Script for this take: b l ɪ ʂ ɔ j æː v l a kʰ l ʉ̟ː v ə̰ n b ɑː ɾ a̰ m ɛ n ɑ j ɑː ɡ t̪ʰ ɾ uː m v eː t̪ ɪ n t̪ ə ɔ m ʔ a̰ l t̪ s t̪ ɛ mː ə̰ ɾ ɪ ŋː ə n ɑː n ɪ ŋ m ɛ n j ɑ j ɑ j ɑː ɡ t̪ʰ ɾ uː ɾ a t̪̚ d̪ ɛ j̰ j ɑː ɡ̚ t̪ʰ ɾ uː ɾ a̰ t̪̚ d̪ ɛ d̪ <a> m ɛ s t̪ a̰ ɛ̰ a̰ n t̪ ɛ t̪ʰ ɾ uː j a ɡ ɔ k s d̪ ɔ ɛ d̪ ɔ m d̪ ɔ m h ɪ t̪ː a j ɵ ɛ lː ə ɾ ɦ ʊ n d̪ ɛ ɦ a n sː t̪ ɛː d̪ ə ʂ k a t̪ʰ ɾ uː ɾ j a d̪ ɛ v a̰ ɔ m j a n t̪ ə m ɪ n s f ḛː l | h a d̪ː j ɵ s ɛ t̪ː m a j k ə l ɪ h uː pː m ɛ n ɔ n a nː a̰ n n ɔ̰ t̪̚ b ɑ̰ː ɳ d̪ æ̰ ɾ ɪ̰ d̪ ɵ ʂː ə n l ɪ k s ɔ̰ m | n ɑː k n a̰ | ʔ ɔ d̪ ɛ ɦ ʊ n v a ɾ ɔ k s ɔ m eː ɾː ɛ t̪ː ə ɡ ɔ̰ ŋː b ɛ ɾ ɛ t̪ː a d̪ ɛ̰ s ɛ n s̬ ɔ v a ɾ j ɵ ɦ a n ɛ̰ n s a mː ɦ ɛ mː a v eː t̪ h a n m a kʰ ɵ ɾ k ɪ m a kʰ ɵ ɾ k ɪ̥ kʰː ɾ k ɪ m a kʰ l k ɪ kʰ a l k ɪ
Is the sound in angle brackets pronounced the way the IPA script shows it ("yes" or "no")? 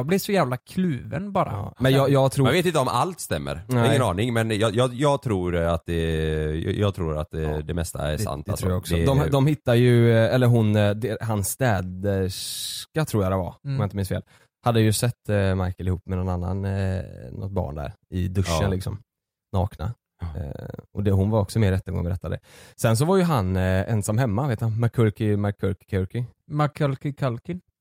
no